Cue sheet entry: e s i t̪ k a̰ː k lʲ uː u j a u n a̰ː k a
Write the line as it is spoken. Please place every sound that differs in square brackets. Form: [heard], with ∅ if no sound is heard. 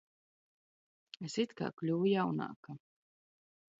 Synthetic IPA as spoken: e s i t̪ k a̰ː k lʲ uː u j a [w] n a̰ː k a